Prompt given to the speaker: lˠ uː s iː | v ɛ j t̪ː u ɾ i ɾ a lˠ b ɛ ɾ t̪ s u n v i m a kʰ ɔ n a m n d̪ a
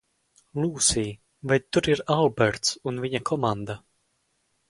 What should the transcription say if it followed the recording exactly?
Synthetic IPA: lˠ uː s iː | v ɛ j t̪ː u ɾ i ɾ a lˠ b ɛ ɾ t̪ s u n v i ɲ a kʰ ɔ m a n d̪ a